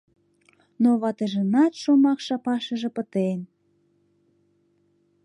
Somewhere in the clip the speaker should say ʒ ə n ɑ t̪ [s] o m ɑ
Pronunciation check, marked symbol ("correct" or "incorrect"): incorrect